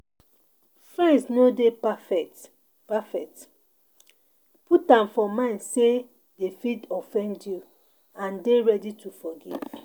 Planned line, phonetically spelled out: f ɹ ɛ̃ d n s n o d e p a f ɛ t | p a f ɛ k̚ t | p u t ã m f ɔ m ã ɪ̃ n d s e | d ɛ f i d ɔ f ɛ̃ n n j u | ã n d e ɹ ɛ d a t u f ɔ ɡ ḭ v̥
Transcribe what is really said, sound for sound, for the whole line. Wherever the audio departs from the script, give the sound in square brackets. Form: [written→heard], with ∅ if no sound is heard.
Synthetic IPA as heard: f ɹ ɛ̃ [d→∅] n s n o d e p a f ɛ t | p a f ɛ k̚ t | p u t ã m f ɔ m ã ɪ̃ n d s e | d [ɛ→e] f i d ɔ f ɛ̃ n [n→d] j u | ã n d e ɹ ɛ d [a→i] t u f ɔ ɡ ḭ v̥

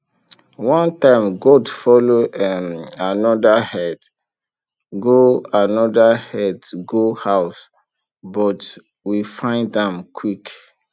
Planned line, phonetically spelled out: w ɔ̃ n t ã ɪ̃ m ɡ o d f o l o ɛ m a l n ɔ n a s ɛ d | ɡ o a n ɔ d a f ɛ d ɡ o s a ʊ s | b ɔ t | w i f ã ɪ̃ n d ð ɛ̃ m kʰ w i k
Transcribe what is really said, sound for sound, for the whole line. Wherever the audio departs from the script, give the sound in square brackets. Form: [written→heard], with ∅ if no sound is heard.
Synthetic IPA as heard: w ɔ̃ n t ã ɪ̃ m ɡ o d f [o→ɔ] l o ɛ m a [l→∅] n ɔ [n→d] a [s→h] ɛ d | ɡ o a n ɔ d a [f→h] ɛ d ɡ o [s→h] a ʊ s | b ɔ t | w i f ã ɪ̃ n d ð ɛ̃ m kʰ w i k

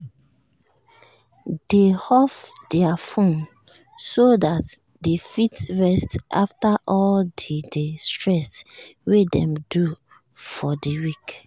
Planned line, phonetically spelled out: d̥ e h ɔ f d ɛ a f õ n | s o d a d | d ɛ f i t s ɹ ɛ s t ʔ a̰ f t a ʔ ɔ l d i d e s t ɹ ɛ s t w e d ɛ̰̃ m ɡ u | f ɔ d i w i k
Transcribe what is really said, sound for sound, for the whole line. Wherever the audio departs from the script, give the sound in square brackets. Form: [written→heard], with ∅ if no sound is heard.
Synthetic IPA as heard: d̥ e h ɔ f d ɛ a f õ n | s o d a [d→t] | d [ɛ→e] f i t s ɹ ɛ s t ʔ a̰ f t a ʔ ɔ l d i d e s t ɹ ɛ s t w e d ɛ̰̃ m [ɡ→d] u | f ɔ d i w i k

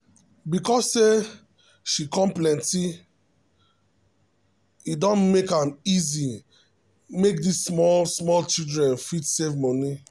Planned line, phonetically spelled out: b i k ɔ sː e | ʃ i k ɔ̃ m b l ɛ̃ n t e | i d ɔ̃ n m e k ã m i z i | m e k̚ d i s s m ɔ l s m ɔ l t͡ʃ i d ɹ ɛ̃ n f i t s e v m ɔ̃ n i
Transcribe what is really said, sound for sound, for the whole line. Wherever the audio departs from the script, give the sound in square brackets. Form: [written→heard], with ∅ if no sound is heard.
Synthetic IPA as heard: b i k ɔ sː e | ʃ i k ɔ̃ m [b→p] l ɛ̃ n t [e→i] | i d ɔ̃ n m e k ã m i z i | m e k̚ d i s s m ɔ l s m ɔ l t͡ʃ i d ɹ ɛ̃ n f i t s e v m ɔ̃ n i

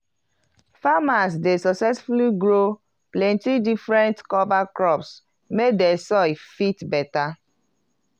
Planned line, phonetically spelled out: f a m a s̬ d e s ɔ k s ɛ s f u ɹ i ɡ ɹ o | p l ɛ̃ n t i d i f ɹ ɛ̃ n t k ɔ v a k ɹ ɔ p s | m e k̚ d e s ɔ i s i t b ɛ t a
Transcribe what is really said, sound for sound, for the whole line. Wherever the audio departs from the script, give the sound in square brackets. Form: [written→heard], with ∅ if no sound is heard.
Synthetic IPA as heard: f a m a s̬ d e s ɔ k s ɛ s f u [ɹ→l] i ɡ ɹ o | p l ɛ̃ n t i d i f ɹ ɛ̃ n t k ɔ v a k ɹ ɔ p s | m e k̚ d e s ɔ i [s→f] i t b ɛ t a

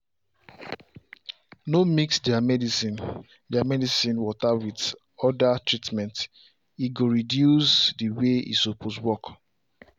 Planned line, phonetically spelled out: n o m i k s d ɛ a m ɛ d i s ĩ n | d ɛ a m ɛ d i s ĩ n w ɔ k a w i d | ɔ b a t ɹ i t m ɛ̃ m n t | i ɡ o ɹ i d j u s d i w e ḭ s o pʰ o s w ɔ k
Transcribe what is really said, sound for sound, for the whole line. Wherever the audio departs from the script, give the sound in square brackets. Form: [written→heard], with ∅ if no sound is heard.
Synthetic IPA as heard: n o m i k s d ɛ a m ɛ d i s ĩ n | d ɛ a m ɛ d i s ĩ n w ɔ [k→t] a w i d | ɔ [b→d] a t ɹ i t m ɛ̃ [m→∅] n t | i ɡ o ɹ i d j u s d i w e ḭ s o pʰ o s w ɔ k

